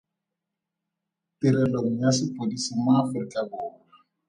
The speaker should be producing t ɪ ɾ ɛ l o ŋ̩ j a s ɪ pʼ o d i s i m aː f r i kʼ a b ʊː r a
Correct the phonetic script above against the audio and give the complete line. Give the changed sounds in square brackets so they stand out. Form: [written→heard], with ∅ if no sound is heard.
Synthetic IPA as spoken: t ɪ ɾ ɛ l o ŋ̩ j a s ɪ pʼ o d i s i m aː f r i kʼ a b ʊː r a